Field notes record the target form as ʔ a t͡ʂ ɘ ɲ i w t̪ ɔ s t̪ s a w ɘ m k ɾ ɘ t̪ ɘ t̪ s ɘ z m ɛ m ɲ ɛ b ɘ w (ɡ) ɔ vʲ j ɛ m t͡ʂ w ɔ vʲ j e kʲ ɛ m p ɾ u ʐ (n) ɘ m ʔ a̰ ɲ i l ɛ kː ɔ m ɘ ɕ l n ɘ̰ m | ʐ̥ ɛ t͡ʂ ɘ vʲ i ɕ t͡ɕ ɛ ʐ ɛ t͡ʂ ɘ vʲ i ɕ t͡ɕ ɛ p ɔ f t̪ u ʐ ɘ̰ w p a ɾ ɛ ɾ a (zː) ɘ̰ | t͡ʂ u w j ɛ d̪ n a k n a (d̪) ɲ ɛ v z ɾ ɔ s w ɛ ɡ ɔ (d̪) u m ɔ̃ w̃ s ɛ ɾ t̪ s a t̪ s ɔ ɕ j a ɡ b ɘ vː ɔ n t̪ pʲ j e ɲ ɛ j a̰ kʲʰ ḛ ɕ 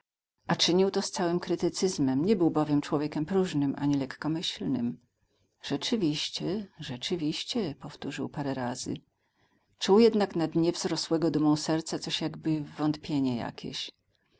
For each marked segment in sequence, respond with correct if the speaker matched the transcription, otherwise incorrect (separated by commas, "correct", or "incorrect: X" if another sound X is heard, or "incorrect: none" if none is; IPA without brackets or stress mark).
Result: incorrect: b, correct, incorrect: z, correct, correct